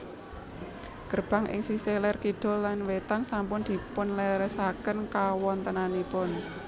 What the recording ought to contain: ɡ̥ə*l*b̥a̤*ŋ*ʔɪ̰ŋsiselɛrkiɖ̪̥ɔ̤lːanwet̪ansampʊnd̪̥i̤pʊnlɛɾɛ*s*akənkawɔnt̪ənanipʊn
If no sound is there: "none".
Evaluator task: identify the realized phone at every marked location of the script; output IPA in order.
r, ŋ, s

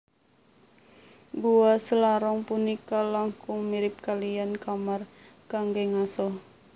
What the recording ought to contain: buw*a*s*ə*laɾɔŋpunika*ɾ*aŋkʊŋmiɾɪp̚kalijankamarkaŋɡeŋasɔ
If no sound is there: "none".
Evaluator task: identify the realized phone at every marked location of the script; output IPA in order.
a, ə, l

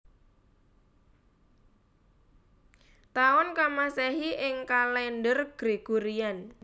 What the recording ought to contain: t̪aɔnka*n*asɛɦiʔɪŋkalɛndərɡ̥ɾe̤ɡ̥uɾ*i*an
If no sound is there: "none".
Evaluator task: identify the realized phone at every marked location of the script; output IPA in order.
m, i

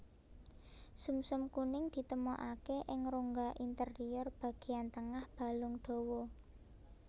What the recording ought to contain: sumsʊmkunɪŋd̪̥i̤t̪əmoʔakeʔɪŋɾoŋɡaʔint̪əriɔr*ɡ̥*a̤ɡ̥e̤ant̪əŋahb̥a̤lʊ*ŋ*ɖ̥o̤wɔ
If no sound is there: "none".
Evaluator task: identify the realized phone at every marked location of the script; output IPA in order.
b̥, ŋ

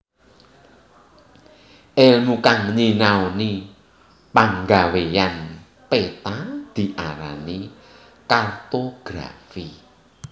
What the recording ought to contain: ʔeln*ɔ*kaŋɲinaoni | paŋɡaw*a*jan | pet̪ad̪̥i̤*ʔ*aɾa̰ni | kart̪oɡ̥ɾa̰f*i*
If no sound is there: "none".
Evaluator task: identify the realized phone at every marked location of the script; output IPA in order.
u, e, ʔ, i

